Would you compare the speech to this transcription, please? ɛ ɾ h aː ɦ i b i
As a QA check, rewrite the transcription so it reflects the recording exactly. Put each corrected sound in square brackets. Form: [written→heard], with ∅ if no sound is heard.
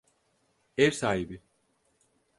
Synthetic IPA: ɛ ɾ [h→s] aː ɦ i b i